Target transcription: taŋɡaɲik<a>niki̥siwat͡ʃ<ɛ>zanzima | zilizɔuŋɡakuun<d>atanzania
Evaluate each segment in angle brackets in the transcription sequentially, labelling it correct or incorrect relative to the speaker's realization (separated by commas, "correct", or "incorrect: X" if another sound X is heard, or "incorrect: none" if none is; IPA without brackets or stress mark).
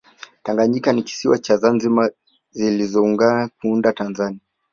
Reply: correct, incorrect: a, correct